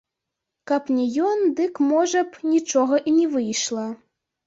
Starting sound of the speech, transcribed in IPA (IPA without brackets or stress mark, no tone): k